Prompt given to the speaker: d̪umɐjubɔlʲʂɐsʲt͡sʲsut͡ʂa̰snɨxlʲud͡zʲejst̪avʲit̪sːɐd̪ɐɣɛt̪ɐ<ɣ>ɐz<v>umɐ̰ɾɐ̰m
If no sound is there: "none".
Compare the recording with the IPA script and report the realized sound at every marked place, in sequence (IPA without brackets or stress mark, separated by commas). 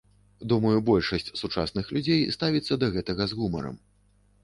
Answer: ɣ, ɣ